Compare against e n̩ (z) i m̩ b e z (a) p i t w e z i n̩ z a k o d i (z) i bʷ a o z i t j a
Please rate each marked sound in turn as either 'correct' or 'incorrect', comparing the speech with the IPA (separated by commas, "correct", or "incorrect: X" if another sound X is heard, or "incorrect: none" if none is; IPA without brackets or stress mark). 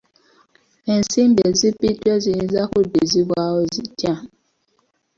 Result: incorrect: s, incorrect: i, correct